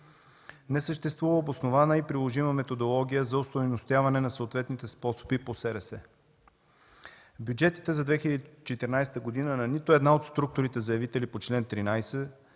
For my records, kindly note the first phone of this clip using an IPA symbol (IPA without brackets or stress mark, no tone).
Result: n